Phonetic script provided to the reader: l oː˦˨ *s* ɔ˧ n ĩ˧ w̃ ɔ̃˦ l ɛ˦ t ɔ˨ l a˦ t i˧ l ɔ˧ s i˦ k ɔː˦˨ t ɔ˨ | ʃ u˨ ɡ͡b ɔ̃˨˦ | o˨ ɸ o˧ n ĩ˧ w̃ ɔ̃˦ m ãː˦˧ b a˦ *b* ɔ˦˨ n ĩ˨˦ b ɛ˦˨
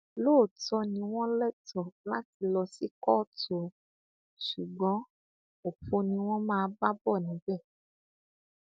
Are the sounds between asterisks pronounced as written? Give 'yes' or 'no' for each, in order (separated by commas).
no, yes